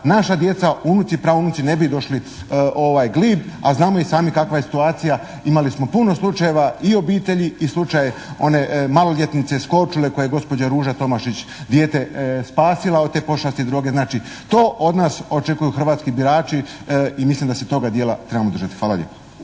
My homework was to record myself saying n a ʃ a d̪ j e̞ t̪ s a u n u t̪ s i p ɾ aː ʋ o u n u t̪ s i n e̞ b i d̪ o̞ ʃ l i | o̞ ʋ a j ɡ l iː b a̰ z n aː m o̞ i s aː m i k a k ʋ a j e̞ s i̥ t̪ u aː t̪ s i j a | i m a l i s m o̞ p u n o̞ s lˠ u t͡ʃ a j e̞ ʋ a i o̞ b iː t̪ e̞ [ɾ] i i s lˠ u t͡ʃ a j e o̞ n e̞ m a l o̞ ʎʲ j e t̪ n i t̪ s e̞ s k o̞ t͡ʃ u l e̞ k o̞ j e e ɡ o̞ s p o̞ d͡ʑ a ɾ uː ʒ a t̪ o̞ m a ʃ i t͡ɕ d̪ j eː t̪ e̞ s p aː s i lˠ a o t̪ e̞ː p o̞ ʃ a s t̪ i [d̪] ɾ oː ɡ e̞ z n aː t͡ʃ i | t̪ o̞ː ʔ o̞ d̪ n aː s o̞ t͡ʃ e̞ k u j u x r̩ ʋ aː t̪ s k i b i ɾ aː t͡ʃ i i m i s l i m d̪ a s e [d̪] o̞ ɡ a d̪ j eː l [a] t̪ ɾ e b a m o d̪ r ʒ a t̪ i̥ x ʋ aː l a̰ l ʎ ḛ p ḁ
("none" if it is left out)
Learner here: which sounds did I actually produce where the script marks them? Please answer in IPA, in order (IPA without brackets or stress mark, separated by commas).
ʎ, d̪, t̪, a